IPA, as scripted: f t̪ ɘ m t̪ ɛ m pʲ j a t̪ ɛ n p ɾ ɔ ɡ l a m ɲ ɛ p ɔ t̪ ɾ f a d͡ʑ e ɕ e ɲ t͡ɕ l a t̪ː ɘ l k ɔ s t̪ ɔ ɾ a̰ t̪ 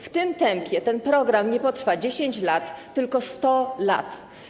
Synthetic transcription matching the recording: f t̪ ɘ m t̪ ɛ m pʲ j ɛ t̪ ɛ n p ɾ ɔ ɡ ɾ a m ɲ ɛ p ɔ t̪ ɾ f a d͡ʑ e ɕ e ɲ t͡ɕ l a t̪ː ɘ l k ɔ s t̪ ɔ l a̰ t̪

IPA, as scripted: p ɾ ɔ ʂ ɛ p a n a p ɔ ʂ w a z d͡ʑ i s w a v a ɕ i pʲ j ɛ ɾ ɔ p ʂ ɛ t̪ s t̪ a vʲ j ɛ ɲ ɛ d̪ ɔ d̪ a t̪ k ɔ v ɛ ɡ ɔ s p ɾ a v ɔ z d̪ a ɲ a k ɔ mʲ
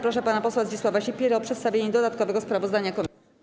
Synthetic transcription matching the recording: p ɾ ɔ ʂ ɛ p a n a p ɔ s w a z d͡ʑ i s w a v a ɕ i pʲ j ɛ ɾ ɔ p ʂ ɛ t̪ s t̪ a vʲ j e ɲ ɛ d̪ ɔ d̪ a t̪ k ɔ v ɛ ɡ ɔ s p ɾ a v ɔ z d̪ a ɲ a k ɔ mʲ

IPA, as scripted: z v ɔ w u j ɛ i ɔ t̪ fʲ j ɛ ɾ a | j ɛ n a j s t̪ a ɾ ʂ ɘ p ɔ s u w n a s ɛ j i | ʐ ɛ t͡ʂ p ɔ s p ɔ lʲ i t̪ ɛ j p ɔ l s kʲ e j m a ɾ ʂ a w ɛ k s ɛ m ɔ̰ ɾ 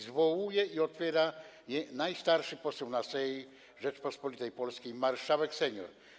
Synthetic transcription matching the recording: z v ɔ w u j ɛ i ɔ t̪ fʲ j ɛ ɾ a | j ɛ n a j s t̪ a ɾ ʂ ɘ p ɔ s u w n a s ɛ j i | ʐ ɛ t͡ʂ p ɔ s p ɔ lʲ i t̪ ɛ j p ɔ l s kʲ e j m a ɾ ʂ a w ɛ k s ɛ ɲ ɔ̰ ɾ

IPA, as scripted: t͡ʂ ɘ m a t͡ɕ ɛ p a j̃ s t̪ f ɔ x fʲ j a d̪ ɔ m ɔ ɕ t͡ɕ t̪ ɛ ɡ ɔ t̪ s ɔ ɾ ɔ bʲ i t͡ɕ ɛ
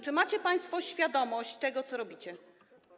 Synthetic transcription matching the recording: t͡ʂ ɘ m a t͡ɕ ɛ p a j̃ s t̪ f ɔ ɕ fʲ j a d̪ ɔ m ɔ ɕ t͡ɕ t̪ ɛ ɡ ɔ t̪ s ɔ ɾ ɔ bʲ i t͡ɕ ɛ

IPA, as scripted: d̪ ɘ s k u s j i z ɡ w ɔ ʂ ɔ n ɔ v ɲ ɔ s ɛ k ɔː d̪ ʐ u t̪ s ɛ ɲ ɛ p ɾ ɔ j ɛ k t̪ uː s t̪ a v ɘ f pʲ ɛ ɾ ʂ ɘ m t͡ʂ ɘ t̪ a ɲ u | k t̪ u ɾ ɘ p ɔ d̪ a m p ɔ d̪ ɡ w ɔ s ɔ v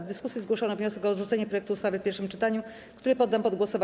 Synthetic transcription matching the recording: d̪ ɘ s k u s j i z ɡ w ɔ ʂ ɔ n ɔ v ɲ ɔ s ɛ k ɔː d̪ ʐ u t̪ s ɛ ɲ ɛ p ɾ ɔ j ɛ k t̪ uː s t̪ a v ɘ f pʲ ɛ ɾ ʂ ɘ m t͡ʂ ɘ t̪ a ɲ u | k t̪ u ɾ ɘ p ɔ d̪ː a m p ɔ d̪ ɡ w ɔ s ɔ v

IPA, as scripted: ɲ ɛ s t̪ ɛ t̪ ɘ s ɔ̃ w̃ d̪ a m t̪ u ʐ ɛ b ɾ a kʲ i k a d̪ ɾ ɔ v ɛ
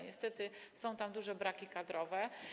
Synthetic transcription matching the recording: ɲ ɛ s t̪ ɛ t̪ ɘ s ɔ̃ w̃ t̪ a m d̪ u ʐ ɛ b ɾ a kʲ i k a d̪ ɾ ɔ v ɛ

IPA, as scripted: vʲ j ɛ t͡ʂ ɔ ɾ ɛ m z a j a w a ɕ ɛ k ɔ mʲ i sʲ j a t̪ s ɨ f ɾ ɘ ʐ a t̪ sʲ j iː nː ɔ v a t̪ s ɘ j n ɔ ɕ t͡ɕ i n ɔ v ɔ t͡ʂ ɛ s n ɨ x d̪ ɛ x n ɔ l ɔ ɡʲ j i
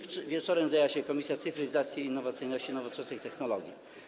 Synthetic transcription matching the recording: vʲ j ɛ t͡ʂ ɔ ɾ ɛ m z a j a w a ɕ ɛ k ɔ mʲ i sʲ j a t̪ s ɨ f ɾ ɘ z a t̪ sʲ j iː nː ɔ v a t̪ s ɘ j n ɔ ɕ t͡ɕ i n ɔ v ɔ t͡ʂ ɛ s n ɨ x t̪ ɛ x n ɔ l ɔ ɡʲ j i

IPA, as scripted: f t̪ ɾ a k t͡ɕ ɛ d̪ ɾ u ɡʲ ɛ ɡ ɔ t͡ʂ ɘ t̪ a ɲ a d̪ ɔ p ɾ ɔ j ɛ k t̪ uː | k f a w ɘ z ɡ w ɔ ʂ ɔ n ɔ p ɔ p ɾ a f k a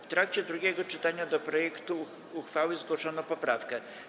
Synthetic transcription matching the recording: f t̪ ɾ a k t͡ɕ ɛ d̪ ɾ u ɡʲ ɛ ɡ ɔ t͡ʂ ɘ t̪ a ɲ a d̪ ɔ p ɾ ɔ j ɛ k t̪ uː | x f a w ɘ z ɡ w ɔ ʂ ɔ n ɔ p ɔ p ɾ a f k ɛ

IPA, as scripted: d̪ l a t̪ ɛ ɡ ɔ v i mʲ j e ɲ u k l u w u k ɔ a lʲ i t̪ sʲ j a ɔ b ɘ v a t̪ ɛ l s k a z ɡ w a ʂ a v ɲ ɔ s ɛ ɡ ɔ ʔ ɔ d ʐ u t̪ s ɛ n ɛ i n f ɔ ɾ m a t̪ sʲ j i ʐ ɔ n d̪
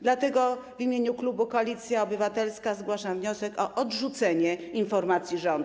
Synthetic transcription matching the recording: d̪ l a t̪ ɛ ɡ ɔ v i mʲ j e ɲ u k l u b u k ɔ a lʲ i t̪ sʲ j a ɔ b ɘ v a t̪ ɛ l s k a z ɡ w a ʂ a v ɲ ɔ s ɛ k ɔ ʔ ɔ d ʐ u t̪ s ɛ ɲ ɛ i n f ɔ ɾ m a t̪ sʲ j i ʐ ɔ n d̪

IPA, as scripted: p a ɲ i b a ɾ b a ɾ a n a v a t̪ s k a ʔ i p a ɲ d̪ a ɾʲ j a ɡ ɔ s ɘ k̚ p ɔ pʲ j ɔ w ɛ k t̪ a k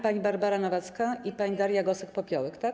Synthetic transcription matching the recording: p a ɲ i b a ɾ b a ɾ a n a v a t̪ s k a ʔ i p a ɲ d̪ a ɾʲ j a ɡ ɔ s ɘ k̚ p ɔ pʲ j ɔ w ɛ k t̪ a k

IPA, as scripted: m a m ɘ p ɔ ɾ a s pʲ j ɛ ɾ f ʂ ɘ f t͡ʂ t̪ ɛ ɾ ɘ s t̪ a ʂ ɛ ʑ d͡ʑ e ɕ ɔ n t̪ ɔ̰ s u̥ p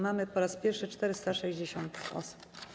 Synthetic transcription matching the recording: m a m ɘ p ɔ ɾ a s pʲ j ɛ ɾ f ʂ ɘ t͡ʂ t̪ ɛ ɾ ɘ s t̪ a ʂ ɛ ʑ d͡ʑ e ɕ ɔ n t̪ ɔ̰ s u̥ p

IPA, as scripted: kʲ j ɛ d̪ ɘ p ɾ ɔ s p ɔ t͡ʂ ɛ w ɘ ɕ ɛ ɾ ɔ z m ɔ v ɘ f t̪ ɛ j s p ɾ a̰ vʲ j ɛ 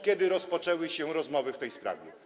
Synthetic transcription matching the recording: kʲ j ɛ d̪ ɘ ɾ ɔ s p ɔ t͡ʂ ɛ w ɘ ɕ ɛ ɾ ɔ z m ɔ v ɘ f t̪ ɛ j s p ɾ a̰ vʲ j ɛ

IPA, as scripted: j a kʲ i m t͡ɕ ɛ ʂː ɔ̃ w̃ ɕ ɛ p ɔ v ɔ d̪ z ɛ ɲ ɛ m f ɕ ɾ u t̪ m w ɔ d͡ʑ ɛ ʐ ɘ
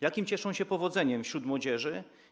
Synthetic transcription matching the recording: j a kʲ i m t͡ɕ ɛ ʂ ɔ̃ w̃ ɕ ɛ p ɔ v ɔ d̪ z ɛ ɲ ɛ m f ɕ ɾ u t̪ m w ɔ d͡ʑ ɛ ʐ ɘ

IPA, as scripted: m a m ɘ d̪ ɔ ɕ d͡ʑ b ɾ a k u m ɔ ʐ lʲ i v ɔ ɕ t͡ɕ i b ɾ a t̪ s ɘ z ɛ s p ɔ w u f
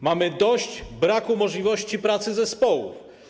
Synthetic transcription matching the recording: m a m ɘ d̪ ɔ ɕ d͡ʑ b ɾ a k u m ɔ ʐ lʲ i v ɔ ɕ t͡ɕ i p ɾ a t̪ s ɘ z ɛ s p ɔ w u f

